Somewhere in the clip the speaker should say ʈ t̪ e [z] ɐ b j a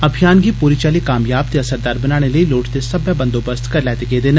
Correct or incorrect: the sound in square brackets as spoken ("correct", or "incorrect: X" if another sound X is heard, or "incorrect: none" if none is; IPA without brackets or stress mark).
incorrect: s